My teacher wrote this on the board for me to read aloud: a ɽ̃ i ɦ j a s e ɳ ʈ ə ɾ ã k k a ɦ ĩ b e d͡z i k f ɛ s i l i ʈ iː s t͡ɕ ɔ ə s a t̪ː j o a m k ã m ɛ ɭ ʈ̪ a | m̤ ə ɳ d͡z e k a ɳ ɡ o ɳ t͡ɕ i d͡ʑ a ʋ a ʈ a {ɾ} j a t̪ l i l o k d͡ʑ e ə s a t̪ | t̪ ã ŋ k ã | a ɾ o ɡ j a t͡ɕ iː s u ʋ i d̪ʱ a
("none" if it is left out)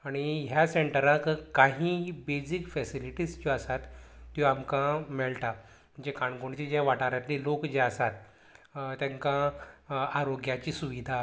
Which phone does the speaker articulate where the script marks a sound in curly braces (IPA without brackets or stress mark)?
ɾ